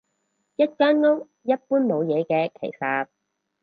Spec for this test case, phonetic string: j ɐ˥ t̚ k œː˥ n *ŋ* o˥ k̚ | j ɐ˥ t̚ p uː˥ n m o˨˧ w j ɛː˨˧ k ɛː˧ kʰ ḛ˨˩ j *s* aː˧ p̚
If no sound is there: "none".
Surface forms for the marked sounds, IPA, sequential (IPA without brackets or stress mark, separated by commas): ŋ, s